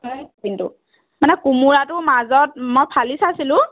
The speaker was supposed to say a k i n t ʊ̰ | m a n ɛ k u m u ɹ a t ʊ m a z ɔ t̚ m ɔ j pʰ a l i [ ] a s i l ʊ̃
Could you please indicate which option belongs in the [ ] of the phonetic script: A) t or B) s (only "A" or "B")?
B